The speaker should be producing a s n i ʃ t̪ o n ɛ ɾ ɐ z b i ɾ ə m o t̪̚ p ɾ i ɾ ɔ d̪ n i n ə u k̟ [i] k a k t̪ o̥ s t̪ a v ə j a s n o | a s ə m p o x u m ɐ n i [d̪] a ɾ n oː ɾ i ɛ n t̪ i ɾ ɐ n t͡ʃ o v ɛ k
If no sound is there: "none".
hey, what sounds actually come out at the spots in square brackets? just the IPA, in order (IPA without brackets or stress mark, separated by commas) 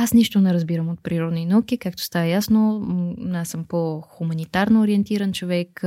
i, t̪